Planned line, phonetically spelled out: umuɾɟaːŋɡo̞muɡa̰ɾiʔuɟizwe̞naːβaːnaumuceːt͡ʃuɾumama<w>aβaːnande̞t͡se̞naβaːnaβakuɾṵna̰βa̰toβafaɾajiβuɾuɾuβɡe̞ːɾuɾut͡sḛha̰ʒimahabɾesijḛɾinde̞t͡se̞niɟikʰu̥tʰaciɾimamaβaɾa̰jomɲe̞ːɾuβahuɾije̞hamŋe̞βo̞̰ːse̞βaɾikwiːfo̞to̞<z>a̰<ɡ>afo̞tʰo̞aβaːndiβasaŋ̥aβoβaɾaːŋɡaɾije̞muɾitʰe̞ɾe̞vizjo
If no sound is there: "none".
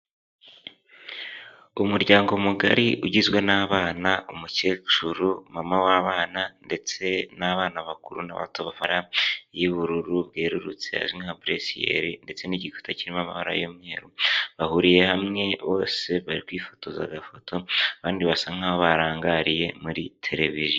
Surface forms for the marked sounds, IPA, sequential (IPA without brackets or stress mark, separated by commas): w, z, ɡ